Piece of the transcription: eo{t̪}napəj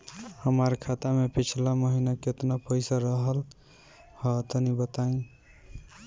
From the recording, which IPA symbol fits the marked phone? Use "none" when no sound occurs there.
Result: t̪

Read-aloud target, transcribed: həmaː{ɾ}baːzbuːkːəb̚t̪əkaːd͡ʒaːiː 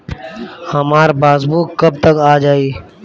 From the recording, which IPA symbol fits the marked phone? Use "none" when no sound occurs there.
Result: ɾ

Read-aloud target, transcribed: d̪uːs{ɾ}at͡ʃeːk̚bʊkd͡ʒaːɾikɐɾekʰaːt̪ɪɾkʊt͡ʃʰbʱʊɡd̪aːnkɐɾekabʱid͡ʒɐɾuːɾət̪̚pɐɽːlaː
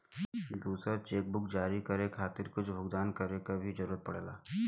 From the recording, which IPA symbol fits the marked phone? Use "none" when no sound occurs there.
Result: ɾ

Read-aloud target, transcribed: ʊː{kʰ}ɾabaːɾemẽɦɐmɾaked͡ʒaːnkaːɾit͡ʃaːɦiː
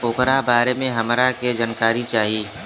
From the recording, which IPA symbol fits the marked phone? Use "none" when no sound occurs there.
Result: k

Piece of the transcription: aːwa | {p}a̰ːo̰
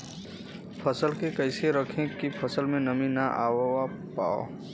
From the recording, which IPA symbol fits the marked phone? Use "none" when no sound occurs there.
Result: p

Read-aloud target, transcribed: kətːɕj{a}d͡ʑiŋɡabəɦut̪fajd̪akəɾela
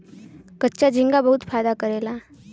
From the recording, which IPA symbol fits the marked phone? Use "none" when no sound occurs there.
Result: a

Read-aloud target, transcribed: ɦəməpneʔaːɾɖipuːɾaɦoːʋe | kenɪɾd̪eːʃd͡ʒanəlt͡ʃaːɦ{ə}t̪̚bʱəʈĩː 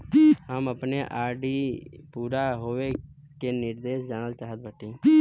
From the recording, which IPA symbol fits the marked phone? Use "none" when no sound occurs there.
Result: ə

